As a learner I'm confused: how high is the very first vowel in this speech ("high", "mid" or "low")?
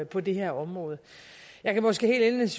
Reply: low